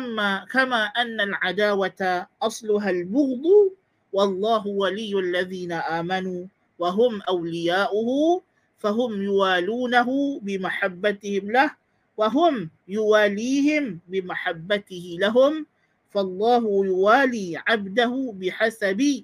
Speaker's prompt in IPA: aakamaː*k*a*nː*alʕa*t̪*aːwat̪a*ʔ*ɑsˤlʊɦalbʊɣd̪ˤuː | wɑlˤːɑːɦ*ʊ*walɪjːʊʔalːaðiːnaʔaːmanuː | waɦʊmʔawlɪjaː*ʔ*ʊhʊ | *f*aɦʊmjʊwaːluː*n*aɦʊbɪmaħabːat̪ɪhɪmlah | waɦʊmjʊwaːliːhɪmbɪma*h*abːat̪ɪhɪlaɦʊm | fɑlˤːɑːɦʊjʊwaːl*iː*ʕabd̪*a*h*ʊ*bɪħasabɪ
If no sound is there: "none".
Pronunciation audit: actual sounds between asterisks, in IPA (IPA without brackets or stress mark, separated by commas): ʔ, nː, d̪, ʔ, ʊ, ʔ, f, n, ħ, iː, a, ʊ